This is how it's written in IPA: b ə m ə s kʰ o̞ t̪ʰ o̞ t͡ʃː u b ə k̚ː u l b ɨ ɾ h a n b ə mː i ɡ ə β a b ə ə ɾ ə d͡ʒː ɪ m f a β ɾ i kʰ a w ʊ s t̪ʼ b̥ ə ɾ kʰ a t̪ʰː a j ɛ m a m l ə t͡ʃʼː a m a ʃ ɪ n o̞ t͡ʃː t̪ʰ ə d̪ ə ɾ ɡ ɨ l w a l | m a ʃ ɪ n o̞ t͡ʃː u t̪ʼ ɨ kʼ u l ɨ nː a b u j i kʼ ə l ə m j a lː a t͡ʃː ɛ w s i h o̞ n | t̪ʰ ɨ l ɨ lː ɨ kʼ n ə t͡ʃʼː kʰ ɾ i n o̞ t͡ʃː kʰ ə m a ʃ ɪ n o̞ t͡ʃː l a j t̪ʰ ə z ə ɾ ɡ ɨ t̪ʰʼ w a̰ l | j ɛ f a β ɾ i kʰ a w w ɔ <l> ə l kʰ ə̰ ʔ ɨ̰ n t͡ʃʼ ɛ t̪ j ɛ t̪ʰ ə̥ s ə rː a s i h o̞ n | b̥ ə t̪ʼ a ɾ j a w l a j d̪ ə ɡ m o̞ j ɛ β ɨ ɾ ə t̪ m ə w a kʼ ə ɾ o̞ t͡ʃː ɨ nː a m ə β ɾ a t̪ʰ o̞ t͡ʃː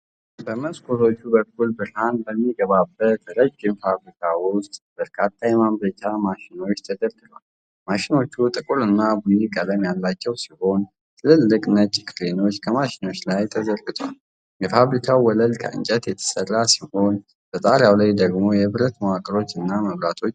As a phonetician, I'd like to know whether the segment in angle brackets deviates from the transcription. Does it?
no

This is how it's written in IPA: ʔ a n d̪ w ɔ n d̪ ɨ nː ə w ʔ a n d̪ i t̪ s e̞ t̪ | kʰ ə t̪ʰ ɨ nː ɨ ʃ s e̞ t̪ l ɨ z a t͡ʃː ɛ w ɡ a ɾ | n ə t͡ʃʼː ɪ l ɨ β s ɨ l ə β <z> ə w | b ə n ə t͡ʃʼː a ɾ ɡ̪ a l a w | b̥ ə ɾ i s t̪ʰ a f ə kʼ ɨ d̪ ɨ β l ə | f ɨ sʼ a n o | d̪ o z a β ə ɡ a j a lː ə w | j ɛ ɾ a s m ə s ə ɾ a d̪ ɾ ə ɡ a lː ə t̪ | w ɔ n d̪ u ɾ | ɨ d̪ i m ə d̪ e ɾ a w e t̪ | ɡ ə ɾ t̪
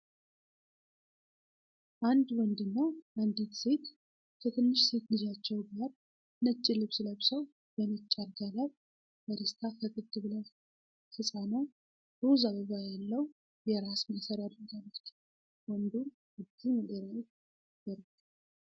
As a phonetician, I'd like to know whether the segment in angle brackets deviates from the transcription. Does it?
yes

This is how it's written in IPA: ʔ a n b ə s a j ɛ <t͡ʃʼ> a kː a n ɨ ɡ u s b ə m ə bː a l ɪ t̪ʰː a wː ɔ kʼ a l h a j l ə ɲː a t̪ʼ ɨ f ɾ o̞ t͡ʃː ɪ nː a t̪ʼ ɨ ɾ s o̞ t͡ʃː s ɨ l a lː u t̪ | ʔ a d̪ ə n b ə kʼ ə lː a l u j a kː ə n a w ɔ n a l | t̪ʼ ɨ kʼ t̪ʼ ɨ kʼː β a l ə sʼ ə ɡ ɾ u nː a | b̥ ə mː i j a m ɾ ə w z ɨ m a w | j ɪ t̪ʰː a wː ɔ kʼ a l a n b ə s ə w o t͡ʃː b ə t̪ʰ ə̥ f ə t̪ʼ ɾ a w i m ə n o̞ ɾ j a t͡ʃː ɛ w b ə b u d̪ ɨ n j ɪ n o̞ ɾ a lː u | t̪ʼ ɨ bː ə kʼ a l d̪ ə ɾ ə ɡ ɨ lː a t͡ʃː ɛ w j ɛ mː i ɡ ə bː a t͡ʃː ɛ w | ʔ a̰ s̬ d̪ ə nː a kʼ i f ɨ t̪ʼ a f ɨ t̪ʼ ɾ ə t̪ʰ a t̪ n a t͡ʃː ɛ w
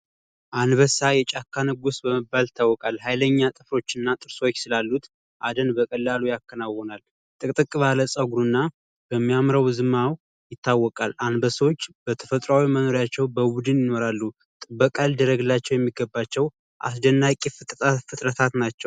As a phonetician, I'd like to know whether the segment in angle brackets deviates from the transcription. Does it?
no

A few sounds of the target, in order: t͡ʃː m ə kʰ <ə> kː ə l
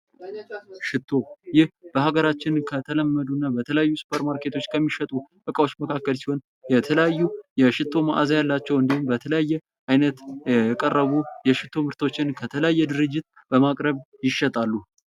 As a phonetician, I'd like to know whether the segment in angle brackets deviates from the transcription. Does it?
yes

